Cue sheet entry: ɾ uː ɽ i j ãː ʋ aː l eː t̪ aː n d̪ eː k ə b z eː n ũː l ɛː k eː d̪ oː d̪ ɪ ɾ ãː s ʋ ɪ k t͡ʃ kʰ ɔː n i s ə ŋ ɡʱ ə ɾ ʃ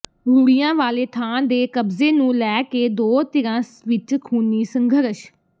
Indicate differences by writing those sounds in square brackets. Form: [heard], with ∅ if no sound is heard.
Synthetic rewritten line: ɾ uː ɽ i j ãː ʋ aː l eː [t̪ʰ] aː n d̪ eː k ə b z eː n ũː l ɛː k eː d̪ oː [t̪] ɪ ɾ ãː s ʋ ɪ [∅] t͡ʃ kʰ [uː] n [iː] s ə ŋ ɡʱ ə ɾ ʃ